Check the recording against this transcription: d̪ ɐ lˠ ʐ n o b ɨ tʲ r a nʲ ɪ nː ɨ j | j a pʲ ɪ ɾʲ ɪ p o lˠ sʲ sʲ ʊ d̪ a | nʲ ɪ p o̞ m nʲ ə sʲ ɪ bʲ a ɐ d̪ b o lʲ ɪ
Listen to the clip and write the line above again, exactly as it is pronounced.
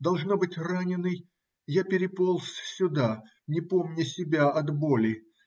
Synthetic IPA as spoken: d̪ ɐ lˠ ʐ n o b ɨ tʲ r a nʲ ɪ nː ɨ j | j a pʲ ɪ ɾʲ ɪ p o lˠ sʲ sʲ ʊ d̪ a | nʲ ɪ p o̞ m nʲ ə sʲ ɪ bʲ a ɐ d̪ b o lʲ ɪ